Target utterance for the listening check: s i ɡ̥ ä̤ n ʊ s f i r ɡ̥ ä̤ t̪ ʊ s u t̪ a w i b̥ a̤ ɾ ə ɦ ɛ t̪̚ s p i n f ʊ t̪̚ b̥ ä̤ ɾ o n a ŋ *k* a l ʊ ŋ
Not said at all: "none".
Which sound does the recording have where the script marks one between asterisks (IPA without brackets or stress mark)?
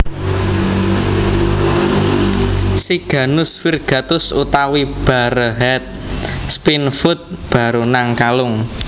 k